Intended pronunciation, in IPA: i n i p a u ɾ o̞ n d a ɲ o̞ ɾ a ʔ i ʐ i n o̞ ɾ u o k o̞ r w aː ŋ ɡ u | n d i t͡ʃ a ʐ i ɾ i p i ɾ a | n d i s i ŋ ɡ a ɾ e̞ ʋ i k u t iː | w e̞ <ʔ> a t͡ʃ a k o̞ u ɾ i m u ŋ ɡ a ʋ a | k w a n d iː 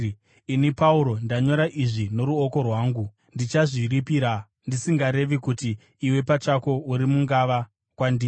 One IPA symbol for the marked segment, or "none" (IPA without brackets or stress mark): p